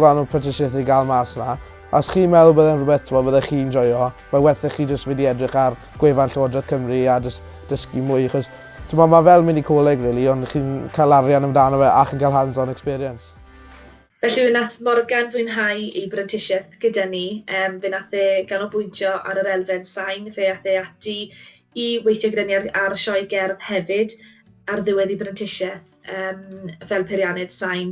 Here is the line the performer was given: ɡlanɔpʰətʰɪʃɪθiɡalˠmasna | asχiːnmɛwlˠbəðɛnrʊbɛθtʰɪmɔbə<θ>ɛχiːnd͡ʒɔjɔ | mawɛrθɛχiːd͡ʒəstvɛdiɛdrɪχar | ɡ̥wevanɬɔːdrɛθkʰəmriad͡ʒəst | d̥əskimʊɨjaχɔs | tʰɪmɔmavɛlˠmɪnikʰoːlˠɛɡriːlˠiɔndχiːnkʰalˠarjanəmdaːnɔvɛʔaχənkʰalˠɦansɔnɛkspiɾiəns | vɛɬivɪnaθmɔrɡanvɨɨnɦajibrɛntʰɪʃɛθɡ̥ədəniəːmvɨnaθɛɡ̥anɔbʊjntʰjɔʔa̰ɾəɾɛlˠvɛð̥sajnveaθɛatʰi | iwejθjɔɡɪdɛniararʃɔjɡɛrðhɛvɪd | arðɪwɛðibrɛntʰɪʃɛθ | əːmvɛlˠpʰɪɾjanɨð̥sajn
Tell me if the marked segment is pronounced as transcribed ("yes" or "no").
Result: no